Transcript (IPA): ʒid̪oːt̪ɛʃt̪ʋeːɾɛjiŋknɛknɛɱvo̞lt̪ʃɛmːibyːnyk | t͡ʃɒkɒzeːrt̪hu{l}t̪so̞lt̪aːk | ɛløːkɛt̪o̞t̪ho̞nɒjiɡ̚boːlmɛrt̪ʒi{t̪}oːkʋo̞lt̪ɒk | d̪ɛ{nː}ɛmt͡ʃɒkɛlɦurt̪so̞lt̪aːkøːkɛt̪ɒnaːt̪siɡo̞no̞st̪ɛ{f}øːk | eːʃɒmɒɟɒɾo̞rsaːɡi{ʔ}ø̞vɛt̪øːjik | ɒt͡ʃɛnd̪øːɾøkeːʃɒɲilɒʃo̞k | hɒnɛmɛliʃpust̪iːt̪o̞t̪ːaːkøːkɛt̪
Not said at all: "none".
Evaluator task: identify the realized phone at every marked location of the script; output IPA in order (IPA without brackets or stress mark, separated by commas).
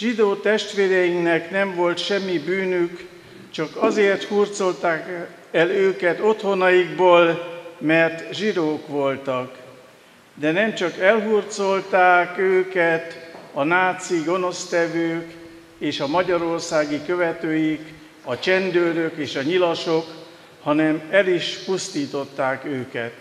r, d̪, n, v, k